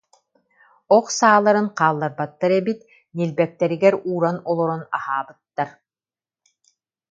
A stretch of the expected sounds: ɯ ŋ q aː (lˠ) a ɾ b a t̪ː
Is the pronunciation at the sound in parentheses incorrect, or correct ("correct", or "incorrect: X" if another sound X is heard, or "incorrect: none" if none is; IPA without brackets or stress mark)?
incorrect: lˠː